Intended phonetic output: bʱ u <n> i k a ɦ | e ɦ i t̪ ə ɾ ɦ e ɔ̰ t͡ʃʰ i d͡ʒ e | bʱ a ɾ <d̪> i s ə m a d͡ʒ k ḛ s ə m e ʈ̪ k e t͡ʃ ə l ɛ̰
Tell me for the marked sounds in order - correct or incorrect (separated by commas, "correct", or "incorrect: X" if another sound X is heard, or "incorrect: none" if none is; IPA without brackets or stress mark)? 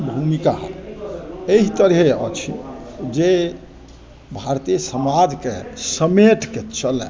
incorrect: m, incorrect: t̪